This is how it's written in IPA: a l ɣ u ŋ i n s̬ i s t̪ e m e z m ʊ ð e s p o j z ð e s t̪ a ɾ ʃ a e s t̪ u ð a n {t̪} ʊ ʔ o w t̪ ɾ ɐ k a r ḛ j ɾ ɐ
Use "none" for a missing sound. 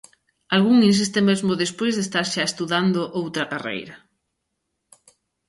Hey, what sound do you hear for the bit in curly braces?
d̪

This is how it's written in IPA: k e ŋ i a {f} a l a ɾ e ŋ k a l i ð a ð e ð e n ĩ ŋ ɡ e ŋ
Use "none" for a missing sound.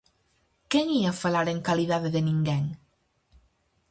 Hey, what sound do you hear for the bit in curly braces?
f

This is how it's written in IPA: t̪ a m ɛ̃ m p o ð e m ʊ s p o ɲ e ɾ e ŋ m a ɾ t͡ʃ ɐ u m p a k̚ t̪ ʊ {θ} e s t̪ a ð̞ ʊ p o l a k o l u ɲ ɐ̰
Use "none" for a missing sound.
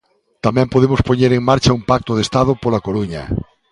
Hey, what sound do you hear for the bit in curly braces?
ð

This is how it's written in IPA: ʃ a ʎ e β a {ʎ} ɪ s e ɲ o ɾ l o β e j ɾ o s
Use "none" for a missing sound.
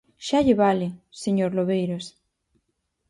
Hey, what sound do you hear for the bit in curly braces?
l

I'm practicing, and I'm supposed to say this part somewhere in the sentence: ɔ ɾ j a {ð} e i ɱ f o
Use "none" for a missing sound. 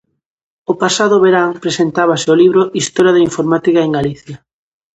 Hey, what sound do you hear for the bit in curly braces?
ð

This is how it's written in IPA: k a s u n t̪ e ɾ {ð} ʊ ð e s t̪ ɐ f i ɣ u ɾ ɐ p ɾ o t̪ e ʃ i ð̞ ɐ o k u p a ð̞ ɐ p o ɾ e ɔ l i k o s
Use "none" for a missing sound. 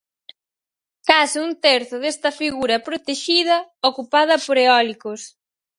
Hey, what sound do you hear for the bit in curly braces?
θ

